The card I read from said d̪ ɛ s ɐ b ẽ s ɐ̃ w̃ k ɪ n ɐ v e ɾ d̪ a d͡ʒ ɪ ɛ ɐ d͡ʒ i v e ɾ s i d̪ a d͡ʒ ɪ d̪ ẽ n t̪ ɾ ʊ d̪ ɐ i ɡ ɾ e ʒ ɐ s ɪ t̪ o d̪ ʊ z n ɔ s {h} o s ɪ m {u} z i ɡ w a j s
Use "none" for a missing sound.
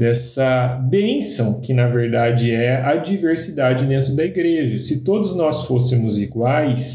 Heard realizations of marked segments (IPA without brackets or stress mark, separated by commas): f, ʊ